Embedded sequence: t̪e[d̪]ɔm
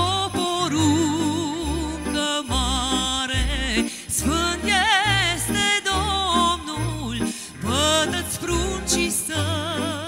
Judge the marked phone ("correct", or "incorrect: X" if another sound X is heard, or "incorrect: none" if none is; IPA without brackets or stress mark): correct